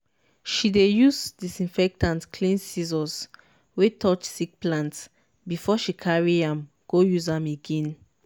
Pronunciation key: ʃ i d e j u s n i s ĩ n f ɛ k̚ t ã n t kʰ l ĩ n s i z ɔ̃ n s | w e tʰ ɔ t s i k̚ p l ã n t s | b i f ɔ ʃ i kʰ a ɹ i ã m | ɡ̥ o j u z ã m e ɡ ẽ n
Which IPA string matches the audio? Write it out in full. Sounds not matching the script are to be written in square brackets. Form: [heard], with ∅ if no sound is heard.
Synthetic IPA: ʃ i d e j u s [d] i s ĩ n f ɛ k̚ t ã n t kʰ l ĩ n s i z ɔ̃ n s | w e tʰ ɔ [t͡ʃ] s i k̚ p l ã n t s | b i f ɔ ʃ i kʰ a ɹ i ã m | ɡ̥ o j u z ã m e ɡ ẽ n